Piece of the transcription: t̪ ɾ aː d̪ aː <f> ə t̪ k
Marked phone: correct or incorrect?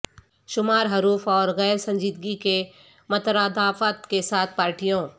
correct